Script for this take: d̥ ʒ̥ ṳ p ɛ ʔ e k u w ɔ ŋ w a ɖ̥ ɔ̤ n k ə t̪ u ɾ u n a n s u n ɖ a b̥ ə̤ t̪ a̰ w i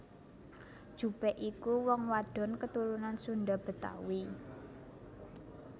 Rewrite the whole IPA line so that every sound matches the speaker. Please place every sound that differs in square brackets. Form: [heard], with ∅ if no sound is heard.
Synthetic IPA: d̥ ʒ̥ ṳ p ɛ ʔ [i] k u w ɔ ŋ w a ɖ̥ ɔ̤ n k ə t̪ u ɾ u n a n s u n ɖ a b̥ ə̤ t̪ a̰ w i